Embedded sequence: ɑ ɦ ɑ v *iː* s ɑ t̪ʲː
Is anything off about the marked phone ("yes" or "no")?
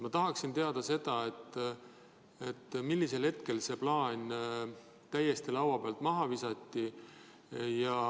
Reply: yes